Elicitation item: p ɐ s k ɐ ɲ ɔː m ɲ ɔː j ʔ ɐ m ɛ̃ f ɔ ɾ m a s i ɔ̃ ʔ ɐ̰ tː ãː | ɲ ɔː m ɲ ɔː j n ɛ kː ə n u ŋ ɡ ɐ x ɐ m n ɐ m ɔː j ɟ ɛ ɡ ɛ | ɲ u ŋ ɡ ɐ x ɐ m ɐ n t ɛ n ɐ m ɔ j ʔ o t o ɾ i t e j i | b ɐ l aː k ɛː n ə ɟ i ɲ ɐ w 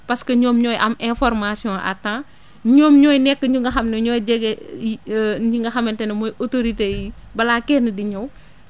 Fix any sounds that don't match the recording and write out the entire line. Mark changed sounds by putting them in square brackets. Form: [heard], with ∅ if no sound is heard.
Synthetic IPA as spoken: p ɐ s k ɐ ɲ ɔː m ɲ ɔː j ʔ ɐ m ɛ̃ f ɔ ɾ m a s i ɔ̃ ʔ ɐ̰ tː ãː | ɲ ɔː m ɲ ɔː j n ɛ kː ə [ɲ] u ŋ ɡ ɐ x ɐ m n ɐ [ɲ] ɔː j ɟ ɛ ɡ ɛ | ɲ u ŋ ɡ ɐ x ɐ m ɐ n t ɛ n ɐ m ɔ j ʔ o t o ɾ i t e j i | b ɐ l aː k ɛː n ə [d] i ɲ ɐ w